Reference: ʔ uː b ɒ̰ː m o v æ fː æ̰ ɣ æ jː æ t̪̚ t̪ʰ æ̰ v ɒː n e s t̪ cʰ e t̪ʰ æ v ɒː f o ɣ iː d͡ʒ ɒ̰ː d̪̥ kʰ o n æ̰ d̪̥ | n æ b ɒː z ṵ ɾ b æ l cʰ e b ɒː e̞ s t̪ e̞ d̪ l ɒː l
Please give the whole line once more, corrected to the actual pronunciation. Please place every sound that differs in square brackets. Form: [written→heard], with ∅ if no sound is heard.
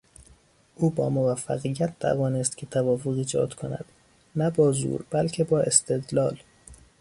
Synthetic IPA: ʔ uː b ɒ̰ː m o v æ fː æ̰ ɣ [æ→i] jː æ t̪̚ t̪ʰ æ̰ v ɒː n e s t̪ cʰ e t̪ʰ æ v ɒː f o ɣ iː d͡ʒ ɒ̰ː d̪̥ kʰ o n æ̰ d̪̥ | n æ b ɒː z ṵ ɾ b æ l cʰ e b ɒː e̞ s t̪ e̞ d̪ l ɒː l